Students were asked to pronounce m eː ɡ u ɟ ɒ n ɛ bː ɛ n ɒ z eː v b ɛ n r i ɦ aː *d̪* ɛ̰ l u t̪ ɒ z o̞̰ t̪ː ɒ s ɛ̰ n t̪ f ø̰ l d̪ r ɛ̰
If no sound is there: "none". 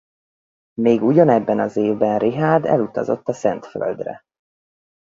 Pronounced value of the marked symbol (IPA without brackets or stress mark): d̪